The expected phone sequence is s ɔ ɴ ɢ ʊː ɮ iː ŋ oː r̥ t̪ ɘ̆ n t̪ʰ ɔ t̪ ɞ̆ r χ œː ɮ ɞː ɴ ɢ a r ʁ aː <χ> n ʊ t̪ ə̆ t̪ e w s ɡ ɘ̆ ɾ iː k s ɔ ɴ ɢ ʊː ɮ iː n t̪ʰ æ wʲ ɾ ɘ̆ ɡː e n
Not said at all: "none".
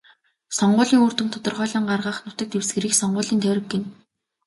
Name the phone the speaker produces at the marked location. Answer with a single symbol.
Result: χ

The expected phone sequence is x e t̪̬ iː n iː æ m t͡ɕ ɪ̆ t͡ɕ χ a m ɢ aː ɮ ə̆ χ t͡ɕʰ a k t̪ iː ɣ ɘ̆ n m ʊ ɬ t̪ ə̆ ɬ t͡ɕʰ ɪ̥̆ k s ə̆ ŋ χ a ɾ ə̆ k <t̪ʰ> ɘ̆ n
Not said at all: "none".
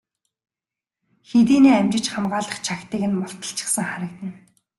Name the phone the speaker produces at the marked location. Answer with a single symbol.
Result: t̪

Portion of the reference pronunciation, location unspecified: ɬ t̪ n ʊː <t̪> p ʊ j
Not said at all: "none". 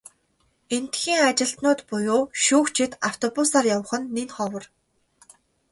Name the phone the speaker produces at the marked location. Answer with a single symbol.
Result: t̪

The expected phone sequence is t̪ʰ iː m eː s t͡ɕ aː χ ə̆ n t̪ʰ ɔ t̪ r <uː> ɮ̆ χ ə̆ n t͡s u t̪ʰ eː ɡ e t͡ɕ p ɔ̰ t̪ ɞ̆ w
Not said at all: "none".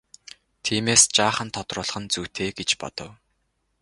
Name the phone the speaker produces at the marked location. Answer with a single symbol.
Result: ʊː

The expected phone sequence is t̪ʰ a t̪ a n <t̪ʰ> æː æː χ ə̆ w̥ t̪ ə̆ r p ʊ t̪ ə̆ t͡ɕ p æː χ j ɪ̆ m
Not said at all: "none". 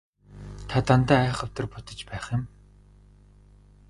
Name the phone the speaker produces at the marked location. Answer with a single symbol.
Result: t̪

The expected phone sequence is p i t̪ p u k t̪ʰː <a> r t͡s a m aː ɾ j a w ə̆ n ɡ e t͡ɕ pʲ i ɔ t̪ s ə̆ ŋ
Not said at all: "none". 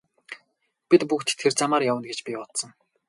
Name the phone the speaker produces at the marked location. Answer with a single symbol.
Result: e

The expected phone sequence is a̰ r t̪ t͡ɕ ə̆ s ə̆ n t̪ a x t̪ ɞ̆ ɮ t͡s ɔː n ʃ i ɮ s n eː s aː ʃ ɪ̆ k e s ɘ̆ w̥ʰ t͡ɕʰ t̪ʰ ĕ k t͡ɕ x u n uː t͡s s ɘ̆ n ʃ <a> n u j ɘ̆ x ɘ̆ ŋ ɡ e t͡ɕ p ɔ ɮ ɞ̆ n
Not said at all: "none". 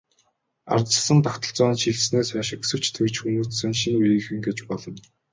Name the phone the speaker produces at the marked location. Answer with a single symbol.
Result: i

